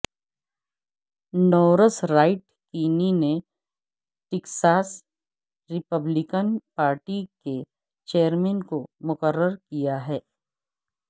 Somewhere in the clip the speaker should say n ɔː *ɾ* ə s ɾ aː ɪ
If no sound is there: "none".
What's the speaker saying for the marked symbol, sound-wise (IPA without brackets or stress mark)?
ɾ